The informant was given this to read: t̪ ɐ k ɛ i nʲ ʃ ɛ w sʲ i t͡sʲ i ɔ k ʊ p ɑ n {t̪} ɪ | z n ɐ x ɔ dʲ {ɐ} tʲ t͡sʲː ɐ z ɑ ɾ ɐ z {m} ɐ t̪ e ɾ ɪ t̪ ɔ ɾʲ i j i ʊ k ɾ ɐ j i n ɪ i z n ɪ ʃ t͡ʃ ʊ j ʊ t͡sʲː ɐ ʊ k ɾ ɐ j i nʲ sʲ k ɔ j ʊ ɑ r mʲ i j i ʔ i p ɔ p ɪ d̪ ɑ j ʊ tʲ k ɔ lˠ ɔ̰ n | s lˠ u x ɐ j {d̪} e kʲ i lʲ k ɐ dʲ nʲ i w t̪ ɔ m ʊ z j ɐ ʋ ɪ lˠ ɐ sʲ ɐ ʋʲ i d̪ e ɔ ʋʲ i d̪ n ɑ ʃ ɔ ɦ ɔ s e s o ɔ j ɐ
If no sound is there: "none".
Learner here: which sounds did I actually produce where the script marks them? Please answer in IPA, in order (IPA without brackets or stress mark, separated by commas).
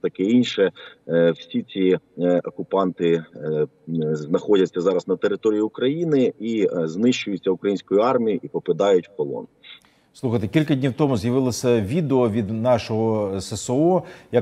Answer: t̪, ɐ, n, t̪